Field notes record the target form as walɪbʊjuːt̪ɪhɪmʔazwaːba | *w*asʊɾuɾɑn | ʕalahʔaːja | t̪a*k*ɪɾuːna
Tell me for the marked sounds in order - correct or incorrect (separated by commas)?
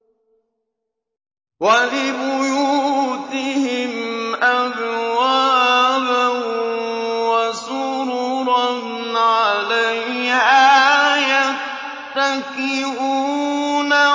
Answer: correct, correct